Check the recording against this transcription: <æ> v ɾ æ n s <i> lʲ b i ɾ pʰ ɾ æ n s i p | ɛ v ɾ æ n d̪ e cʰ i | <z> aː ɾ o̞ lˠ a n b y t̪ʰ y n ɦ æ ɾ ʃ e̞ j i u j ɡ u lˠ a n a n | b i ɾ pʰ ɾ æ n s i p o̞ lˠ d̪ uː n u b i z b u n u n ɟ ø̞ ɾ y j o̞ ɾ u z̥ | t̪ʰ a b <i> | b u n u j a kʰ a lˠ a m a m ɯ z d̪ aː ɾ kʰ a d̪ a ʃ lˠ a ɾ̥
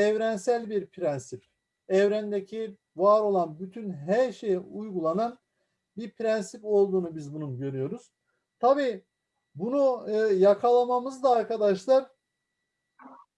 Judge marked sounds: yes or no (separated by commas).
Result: no, no, no, no